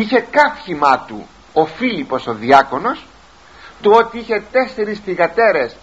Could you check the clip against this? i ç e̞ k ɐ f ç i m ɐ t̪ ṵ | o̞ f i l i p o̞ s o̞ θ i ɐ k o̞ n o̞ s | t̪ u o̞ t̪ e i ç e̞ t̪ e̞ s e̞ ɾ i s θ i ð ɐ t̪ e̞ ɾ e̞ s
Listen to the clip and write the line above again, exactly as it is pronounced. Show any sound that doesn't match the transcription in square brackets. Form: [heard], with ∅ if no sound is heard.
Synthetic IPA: i ç e̞ k ɐ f ç i m ɐ t̪ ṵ | o̞ f i l i p o̞ s o̞ [ð] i ɐ k o̞ n o̞ s | t̪ u o̞ t̪ [i] i ç e̞ t̪ e̞ s e̞ ɾ i s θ i [ɣ] ɐ t̪ e̞ ɾ e̞ s